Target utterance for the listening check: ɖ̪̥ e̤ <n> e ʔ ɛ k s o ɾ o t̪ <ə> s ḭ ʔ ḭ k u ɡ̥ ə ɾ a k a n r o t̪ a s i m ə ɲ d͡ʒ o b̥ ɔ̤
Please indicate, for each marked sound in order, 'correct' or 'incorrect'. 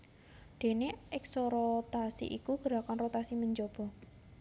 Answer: correct, incorrect: a

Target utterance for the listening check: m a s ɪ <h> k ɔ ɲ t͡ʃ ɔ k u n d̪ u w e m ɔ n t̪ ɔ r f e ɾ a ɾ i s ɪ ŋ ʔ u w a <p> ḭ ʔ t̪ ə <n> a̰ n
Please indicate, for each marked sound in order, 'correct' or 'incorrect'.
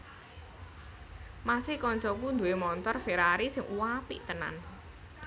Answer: correct, correct, correct

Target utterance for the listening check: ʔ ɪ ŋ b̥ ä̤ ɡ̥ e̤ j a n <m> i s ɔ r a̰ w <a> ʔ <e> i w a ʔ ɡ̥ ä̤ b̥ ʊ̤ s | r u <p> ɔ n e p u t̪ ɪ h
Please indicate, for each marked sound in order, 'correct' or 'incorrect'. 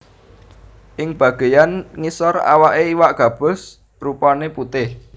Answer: incorrect: ŋ, correct, correct, correct

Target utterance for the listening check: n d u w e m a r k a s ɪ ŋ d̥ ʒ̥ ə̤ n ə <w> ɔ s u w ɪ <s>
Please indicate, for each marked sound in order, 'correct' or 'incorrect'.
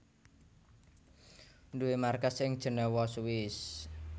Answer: correct, correct

